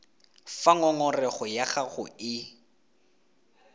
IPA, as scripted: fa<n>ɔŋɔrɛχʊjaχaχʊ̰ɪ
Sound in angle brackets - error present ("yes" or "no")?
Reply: yes